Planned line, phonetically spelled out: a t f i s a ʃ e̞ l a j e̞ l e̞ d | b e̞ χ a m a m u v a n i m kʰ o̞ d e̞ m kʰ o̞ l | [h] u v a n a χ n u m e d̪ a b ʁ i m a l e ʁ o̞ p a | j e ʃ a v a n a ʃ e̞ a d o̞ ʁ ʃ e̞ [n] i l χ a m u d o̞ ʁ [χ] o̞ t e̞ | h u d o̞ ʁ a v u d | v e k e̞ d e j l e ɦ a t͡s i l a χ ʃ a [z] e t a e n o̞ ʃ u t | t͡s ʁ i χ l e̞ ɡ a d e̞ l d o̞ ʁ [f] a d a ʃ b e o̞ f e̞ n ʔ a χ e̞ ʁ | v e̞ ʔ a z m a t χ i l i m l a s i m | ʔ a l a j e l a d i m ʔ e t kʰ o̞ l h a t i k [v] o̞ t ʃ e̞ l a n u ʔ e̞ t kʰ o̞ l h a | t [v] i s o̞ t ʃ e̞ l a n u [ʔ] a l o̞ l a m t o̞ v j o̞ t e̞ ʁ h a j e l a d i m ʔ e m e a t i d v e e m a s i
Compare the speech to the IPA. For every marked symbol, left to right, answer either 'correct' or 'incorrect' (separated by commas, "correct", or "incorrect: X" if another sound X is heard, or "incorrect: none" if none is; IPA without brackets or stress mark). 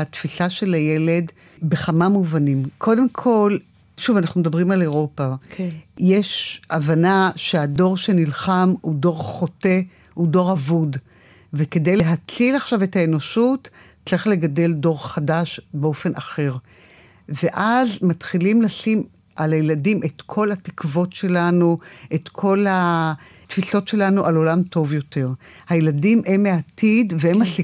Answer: incorrect: ʃ, correct, correct, incorrect: v, incorrect: χ, correct, incorrect: f, correct